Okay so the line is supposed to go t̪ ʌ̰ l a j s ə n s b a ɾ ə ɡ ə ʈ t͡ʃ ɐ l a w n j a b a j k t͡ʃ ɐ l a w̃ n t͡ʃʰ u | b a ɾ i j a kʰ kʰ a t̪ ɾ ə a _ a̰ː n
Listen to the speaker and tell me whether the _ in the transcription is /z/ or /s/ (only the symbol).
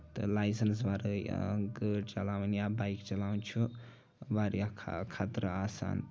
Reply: s